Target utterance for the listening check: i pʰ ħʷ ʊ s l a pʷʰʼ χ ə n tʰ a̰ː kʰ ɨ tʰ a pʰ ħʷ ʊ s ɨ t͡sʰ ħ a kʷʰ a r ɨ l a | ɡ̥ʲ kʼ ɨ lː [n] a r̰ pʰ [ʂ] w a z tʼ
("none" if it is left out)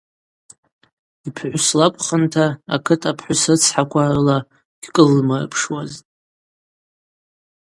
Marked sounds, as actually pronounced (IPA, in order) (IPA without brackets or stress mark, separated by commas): m, ʂ